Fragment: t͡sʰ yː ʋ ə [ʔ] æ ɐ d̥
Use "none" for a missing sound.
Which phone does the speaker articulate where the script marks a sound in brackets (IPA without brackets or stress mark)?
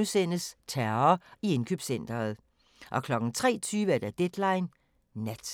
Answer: none